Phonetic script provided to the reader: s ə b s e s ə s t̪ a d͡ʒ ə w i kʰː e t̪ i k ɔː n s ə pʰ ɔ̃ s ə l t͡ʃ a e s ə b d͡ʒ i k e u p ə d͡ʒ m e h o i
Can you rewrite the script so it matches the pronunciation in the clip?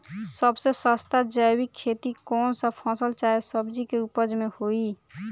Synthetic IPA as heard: s ə b s e s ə s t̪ a d͡ʒ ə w i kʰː e t̪ i k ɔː n s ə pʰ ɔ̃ s ə l t͡ʃ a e s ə b d͡ʒ i k e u p ə d͡ʒ m e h o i